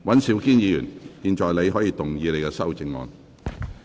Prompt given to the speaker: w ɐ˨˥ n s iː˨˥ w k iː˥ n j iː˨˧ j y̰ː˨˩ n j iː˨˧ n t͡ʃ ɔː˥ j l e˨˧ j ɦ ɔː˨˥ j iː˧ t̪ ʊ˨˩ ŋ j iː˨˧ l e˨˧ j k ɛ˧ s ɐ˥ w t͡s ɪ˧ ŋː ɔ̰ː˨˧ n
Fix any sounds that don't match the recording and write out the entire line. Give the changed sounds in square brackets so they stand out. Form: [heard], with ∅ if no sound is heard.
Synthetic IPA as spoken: w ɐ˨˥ n s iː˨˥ w k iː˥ n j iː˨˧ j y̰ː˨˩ n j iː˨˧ n t͡ʃ [ɔː˨] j l e˨˧ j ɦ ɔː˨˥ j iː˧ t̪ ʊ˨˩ ŋ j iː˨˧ l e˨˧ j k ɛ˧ s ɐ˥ w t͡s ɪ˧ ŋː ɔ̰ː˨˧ n